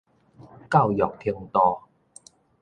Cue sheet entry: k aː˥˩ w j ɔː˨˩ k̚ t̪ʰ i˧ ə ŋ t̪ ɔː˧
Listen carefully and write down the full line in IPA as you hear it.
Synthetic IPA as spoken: k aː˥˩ w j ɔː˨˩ k̚ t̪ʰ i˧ ə ŋ t̪ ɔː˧